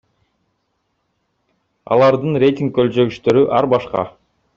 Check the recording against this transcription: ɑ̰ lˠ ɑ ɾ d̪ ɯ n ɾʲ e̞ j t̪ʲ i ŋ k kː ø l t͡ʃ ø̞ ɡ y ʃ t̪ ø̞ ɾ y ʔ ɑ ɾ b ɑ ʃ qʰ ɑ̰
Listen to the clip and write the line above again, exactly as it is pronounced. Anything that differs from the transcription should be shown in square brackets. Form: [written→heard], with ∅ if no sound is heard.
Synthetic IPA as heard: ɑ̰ lˠ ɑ ɾ d̪ ɯ n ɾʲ e̞ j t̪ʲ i ŋ k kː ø l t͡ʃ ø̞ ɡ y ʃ t̪ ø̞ ɾ y ʔ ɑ ɾ b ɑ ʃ [qʰ→q] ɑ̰